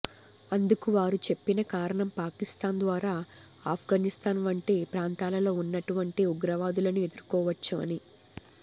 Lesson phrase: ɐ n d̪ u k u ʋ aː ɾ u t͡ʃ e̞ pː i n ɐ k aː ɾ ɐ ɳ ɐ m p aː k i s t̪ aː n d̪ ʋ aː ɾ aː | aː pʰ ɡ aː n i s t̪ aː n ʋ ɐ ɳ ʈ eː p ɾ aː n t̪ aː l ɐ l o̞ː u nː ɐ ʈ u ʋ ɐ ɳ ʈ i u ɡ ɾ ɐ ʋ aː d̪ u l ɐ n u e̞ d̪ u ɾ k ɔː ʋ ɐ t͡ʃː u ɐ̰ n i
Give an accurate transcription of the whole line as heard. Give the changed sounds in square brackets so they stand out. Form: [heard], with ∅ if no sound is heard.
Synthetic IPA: ɐ n d̪ u k u ʋ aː ɾ u t͡ʃ e̞ pː i n ɐ k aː ɾ ɐ ɳ ɐ m p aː k i s t̪ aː n d̪ ʋ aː ɾ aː | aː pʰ ɡ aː n i s t̪ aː n ʋ ɐ ɳ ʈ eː p ɾ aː n t̪ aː l ɐ l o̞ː u nː ɐ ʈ u ʋ ɐ ɳ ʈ i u ɡ ɾ ɐ ʋ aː d̪ u l ɐ n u e̞ d̪ u ɾ k ɔː ʋ ɐ t͡ʃː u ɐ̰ n i